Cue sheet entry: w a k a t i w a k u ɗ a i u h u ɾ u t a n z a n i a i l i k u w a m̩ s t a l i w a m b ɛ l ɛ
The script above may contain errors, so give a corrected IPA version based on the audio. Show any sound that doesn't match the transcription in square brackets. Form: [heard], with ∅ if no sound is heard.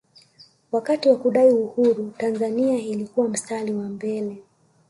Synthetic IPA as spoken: w a k a t i w a k u ɗ a i u h u ɾ u t a n z a n i a i l i k u w a m̩ s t a l i w a m b ɛ l ɛ